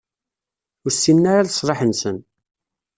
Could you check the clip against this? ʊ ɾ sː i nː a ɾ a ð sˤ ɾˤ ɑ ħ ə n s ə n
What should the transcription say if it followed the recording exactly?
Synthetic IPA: ʊ ɾ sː i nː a ɾ a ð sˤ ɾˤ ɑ ħ ə n s ə n